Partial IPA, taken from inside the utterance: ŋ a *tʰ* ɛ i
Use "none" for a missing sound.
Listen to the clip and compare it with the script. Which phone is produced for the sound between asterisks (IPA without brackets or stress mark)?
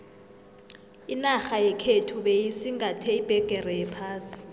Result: tʰ